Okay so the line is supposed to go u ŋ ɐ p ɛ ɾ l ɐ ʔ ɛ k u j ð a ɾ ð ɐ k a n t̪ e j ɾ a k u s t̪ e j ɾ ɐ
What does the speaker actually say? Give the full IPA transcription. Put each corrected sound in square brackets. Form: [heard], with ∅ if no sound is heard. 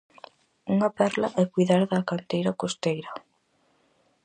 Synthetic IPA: u ŋ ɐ p ɛ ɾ l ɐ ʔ ɛ k u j ð a ɾ ð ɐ k a n t̪ e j ɾ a k [o] s t̪ e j ɾ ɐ